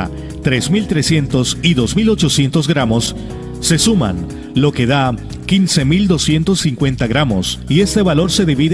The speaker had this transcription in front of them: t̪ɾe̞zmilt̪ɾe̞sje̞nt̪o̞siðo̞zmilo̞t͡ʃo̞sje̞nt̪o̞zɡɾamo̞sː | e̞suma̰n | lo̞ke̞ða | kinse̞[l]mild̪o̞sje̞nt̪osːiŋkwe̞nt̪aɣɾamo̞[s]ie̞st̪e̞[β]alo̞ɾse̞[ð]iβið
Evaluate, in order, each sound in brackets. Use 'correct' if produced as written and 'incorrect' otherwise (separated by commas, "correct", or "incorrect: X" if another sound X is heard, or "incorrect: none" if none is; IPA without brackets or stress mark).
incorrect: none, correct, correct, correct